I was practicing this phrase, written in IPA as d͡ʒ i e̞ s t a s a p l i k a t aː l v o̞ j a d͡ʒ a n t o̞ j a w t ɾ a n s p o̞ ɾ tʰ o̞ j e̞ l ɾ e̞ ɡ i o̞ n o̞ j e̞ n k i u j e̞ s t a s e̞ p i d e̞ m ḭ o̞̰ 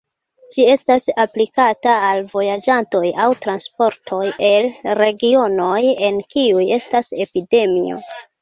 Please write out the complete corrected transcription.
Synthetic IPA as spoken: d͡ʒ i e̞ s t a s a p l i k a t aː l v o̞ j a d͡ʒ a n t o̞ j a w t ɾ a n s p o̞ ɾ tʰ o̞ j e̞ l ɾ e̞ ɡ i o̞ n o̞ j e̞ n k i u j e̞ s t a s e̞ p i d e̞ m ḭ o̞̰